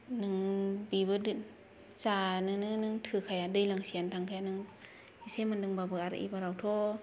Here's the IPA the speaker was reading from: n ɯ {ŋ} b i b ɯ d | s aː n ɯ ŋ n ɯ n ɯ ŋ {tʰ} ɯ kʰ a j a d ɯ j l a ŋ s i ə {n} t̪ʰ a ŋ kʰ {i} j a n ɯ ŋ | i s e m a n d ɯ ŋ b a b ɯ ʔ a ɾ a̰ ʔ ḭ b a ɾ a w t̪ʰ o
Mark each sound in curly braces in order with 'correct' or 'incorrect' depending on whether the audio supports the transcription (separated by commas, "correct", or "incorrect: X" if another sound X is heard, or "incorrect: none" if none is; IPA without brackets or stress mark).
correct, correct, correct, incorrect: a